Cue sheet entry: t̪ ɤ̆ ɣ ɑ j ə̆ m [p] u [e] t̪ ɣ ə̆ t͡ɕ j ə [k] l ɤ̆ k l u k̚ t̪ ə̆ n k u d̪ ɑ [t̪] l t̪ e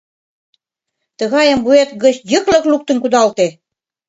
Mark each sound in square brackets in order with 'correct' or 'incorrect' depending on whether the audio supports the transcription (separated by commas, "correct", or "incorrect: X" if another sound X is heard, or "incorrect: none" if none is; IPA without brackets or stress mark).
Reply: incorrect: b, correct, correct, incorrect: none